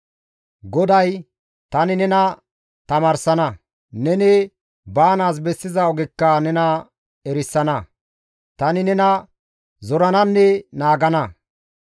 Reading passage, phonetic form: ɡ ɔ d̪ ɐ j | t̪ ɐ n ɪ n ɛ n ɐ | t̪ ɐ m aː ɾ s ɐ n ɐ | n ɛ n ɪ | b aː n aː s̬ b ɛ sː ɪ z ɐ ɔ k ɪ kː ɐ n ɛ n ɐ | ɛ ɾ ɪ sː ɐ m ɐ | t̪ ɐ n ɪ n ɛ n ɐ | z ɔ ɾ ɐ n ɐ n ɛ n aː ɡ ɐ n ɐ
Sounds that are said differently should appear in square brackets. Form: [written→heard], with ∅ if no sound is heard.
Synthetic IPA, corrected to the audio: ɡ ɔ d̪ ɐ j | t̪ ɐ n ɪ n ɛ n ɐ | t̪ ɐ m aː ɾ s ɐ n ɐ | n ɛ n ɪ | b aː n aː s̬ b ɛ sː ɪ z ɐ ɔ [k→ɡ] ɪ kː ɐ n ɛ n ɐ | ɛ ɾ ɪ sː ɐ [m→n] ɐ | t̪ ɐ n ɪ n ɛ n ɐ | z ɔ ɾ ɐ n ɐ [n→nː] ɛ n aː ɡ ɐ n ɐ